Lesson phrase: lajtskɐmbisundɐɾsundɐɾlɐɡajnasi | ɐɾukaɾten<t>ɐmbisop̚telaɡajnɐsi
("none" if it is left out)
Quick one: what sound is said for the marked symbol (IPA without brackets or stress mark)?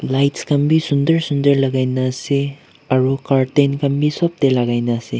k